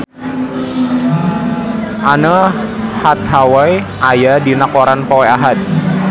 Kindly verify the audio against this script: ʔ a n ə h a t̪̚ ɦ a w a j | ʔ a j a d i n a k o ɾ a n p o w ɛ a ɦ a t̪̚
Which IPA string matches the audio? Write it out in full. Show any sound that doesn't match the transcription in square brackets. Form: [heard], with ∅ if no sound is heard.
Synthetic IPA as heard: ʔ a n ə h a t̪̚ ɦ a w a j | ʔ a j a d i n a k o ɾ a n p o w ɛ a ɦ a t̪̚